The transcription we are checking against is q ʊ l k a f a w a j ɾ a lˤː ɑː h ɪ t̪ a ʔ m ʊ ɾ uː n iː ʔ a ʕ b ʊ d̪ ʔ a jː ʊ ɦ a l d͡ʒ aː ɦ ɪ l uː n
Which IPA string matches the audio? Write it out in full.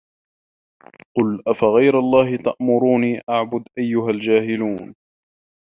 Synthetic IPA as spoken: q ʊ l ʔ a f a ɣ a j ɾ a lˤː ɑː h ɪ t̪ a ʔ m ʊ ɾ uː n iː ʔ a ʕ b ʊ d̪ ʔ a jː ʊ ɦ a l d͡ʒ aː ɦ ɪ l uː n